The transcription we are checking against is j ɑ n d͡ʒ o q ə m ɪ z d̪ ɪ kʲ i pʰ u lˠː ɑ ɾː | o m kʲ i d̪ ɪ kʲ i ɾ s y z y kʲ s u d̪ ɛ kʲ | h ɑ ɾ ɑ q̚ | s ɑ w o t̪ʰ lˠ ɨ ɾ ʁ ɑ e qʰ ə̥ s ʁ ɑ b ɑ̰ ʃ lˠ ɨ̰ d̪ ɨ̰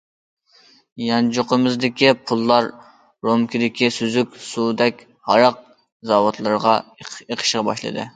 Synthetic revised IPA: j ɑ n d͡ʒ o q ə m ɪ z d̪ ɪ kʲ i pʰ u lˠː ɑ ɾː | o m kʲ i d̪ ɪ kʲ i s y z y kʲ s u d̪ ɛ kʲ | h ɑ ɾ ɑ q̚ | z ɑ w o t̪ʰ lˠ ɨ ɾ ʁ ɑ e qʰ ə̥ ʃ ʁ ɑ b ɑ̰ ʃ lˠ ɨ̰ d̪ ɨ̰